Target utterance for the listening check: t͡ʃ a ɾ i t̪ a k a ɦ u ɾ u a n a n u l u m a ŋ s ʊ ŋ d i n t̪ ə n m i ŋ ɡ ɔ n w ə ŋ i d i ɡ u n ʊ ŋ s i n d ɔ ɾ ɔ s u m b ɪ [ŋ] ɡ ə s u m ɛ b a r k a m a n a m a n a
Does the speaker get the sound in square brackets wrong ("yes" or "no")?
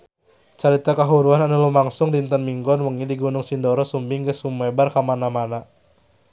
no